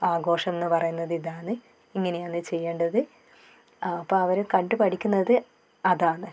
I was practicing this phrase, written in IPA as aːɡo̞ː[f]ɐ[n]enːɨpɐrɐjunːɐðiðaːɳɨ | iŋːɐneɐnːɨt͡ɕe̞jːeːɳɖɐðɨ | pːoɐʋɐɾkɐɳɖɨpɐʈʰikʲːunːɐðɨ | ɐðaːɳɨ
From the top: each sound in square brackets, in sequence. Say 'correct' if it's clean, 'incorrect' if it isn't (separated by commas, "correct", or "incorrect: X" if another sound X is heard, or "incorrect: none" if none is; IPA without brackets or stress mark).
incorrect: ʂ, incorrect: m